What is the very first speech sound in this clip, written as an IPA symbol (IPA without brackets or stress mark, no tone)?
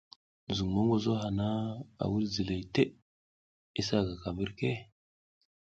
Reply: z